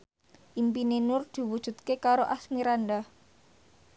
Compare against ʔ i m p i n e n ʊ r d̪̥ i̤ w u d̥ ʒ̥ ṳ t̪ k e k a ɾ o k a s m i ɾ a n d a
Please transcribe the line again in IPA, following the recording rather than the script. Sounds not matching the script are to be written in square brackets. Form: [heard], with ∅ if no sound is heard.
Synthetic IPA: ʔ i m p i n e n ʊ r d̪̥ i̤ w u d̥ ʒ̥ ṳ t̪ k e k a ɾ o [ʔ] a s m i ɾ a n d a